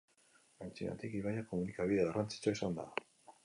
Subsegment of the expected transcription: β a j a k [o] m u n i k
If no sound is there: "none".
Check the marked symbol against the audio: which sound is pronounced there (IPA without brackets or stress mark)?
o